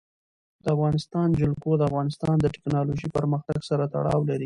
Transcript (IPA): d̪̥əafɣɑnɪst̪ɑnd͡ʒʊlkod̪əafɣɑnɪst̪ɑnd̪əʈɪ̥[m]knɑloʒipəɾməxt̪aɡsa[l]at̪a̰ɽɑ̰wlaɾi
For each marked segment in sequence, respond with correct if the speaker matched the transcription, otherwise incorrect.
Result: incorrect: none, incorrect: ɾ

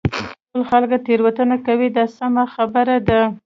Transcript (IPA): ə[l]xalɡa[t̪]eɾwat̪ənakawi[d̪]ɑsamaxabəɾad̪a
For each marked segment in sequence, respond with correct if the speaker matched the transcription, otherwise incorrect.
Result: correct, correct, correct

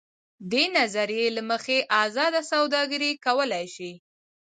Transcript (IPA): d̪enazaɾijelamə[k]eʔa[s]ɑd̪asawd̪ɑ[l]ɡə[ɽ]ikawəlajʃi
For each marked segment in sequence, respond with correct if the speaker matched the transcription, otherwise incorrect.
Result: incorrect: x, incorrect: z, incorrect: none, incorrect: ɾ

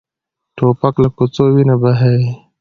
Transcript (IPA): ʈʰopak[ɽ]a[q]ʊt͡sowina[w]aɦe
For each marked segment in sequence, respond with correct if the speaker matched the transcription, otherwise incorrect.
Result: incorrect: l, incorrect: k, incorrect: b

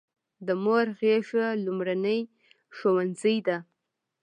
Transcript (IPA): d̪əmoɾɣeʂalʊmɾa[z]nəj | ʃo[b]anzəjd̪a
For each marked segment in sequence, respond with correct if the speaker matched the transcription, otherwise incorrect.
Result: incorrect: none, incorrect: w

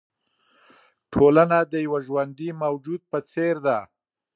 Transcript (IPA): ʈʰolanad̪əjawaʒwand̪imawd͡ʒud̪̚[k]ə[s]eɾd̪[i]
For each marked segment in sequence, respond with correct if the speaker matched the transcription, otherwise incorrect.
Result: incorrect: p, incorrect: t͡s, incorrect: a

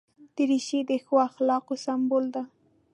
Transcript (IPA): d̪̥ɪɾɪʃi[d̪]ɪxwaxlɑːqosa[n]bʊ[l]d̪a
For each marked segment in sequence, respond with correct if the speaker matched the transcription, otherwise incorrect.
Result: correct, incorrect: m, correct

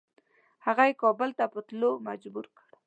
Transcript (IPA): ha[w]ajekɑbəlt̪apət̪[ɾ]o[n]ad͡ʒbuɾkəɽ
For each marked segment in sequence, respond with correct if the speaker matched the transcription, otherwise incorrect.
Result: incorrect: ɣ, incorrect: l, incorrect: m

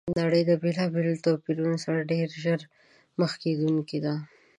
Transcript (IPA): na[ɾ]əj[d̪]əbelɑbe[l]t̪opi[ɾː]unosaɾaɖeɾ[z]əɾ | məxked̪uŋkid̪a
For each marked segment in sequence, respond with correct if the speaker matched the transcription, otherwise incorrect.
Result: incorrect: ɽ, correct, correct, incorrect: ɾ, incorrect: ʒ

